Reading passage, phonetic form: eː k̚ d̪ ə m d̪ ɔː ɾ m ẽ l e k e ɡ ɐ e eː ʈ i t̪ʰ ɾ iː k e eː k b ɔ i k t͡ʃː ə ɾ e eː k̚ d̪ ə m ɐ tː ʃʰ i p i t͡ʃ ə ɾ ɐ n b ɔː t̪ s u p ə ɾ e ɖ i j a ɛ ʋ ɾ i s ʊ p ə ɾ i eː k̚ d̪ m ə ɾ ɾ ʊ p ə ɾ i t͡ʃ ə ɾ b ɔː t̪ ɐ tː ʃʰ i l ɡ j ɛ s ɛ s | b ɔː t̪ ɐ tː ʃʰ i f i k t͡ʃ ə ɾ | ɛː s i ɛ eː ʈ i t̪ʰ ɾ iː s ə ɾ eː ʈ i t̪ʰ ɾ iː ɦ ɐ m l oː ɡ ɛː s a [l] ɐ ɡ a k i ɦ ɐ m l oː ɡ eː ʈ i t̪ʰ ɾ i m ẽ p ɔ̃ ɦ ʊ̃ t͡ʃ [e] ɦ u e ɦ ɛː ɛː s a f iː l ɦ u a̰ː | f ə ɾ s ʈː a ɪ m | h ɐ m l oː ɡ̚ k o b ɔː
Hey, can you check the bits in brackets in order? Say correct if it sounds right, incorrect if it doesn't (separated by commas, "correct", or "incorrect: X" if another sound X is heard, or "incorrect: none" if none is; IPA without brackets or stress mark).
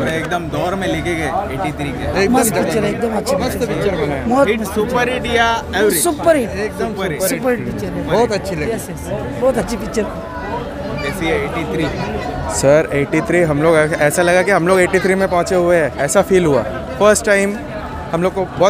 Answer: correct, correct